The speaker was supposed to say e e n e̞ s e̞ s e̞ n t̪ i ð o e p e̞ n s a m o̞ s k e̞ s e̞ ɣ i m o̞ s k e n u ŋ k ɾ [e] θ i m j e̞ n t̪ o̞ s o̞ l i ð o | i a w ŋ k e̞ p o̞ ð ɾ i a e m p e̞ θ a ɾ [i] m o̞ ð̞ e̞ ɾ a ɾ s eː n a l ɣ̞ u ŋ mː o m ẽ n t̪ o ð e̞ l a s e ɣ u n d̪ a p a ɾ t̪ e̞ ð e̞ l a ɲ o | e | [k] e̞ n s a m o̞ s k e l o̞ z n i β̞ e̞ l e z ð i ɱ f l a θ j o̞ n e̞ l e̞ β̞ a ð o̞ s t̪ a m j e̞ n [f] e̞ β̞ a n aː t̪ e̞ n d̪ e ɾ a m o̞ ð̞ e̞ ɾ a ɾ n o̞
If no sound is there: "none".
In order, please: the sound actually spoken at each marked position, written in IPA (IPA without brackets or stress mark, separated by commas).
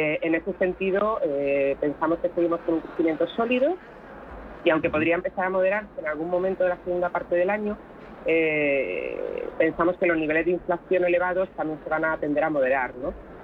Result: e, a, p, s